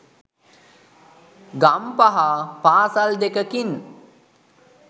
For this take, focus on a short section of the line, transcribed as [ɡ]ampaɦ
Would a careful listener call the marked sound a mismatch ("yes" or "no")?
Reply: no